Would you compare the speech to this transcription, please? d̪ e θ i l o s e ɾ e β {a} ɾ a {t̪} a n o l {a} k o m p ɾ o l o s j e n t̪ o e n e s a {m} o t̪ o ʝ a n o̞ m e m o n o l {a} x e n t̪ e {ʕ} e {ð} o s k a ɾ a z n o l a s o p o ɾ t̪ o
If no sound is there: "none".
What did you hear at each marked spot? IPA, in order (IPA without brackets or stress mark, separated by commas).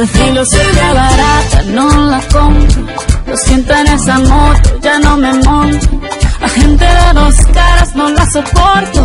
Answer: a, t̪, a, m, a, ð, ð